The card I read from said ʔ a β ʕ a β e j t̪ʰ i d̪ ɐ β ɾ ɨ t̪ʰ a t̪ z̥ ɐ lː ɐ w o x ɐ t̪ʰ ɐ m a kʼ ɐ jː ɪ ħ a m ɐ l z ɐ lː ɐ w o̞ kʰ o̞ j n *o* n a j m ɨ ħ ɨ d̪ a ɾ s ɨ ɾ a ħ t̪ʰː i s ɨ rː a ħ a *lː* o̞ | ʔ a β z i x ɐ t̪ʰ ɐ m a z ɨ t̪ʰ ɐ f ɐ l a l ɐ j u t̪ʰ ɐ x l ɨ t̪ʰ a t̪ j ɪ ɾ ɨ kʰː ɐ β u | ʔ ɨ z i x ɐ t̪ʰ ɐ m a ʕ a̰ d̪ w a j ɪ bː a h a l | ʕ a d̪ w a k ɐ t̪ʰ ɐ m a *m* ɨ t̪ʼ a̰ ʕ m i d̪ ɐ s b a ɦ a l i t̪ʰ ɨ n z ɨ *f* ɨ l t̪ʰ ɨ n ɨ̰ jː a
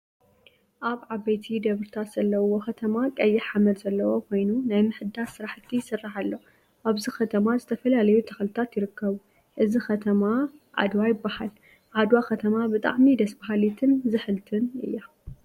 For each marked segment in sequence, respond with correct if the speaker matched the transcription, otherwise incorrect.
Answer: incorrect: u, correct, incorrect: b, incorrect: ħ

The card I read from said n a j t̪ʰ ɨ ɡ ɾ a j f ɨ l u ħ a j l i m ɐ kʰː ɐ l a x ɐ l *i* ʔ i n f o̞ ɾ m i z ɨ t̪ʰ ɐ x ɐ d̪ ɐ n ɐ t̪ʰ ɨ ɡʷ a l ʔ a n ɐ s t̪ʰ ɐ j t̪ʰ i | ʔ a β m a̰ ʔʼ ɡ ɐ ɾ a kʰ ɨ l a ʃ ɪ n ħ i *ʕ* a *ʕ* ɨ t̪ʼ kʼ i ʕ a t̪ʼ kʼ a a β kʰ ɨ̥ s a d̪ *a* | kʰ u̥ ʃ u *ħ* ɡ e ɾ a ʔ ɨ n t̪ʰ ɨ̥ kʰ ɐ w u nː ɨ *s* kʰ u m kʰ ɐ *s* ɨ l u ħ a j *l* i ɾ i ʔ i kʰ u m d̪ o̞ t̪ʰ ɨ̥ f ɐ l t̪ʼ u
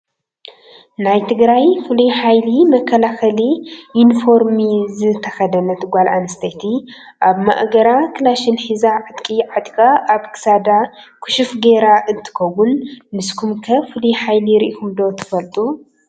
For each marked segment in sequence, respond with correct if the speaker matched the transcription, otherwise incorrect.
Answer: correct, incorrect: z, correct, correct, incorrect: f, correct, incorrect: f, correct

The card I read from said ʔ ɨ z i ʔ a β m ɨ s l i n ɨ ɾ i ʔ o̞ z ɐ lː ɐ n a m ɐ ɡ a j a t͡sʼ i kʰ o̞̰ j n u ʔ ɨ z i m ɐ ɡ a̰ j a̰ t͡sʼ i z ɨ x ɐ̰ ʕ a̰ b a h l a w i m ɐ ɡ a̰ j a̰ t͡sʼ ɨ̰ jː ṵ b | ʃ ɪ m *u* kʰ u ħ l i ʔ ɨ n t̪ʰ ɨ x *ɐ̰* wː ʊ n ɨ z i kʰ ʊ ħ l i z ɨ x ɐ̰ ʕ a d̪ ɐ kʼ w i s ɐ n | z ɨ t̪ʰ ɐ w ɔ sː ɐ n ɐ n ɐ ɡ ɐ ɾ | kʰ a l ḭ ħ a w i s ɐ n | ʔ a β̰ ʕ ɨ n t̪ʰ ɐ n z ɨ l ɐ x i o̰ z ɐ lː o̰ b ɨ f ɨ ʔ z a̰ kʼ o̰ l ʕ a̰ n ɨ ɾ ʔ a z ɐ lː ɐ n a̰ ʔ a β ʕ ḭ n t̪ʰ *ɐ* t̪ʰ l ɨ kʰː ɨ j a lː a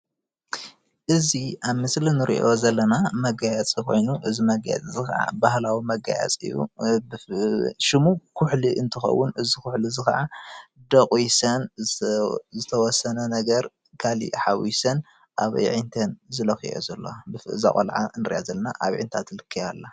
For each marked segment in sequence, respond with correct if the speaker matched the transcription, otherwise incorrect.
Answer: correct, correct, incorrect: a

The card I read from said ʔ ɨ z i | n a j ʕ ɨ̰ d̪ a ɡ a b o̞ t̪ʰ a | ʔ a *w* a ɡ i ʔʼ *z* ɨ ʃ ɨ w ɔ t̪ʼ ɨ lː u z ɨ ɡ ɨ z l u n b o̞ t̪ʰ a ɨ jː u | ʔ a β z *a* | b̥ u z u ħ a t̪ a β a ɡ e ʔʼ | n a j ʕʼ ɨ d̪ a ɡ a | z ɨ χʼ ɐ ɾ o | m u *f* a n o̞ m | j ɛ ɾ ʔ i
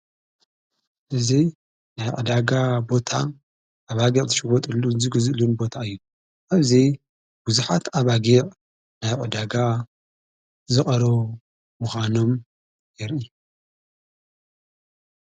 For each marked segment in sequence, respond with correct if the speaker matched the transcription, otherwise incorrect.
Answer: incorrect: β, correct, incorrect: i, incorrect: x

